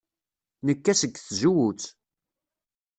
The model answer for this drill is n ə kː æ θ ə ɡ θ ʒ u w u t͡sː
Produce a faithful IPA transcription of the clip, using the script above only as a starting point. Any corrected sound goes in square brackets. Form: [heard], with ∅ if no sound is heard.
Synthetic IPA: n ə kː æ [s] ə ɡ θ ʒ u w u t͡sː